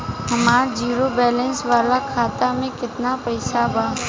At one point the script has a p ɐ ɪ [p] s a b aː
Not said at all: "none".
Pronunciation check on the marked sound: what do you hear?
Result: none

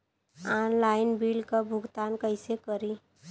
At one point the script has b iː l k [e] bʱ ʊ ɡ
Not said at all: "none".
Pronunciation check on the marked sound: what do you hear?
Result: a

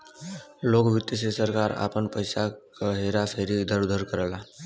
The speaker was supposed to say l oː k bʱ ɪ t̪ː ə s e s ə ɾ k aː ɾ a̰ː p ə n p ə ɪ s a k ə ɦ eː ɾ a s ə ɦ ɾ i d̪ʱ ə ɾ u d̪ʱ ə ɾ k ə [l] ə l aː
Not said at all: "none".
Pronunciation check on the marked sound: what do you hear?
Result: ɾ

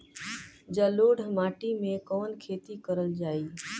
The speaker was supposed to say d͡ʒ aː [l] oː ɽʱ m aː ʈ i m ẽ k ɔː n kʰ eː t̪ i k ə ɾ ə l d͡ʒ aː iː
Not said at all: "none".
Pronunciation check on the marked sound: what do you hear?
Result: l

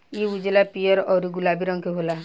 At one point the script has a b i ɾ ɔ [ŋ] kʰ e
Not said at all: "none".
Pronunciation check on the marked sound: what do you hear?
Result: ŋ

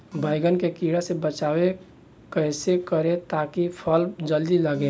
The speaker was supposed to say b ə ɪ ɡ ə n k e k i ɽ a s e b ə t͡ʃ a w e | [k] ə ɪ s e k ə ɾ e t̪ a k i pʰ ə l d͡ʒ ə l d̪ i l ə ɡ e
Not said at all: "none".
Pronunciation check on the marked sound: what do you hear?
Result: k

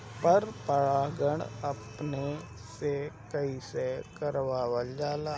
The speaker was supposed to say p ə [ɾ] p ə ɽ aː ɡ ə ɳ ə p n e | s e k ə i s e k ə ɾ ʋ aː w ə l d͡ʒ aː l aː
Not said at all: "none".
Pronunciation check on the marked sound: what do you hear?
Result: ɾ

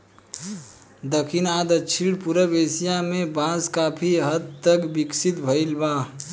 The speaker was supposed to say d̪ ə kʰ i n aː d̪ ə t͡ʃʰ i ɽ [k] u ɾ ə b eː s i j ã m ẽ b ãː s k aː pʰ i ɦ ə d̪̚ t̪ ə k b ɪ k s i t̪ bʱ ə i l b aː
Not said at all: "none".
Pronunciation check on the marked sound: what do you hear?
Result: p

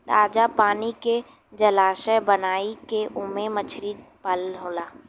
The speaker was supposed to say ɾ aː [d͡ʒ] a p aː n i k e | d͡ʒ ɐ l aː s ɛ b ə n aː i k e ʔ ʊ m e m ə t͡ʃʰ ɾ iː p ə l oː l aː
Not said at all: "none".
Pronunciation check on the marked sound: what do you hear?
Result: d͡ʒ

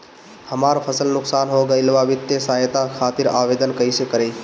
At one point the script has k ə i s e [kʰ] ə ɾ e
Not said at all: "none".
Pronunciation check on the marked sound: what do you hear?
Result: k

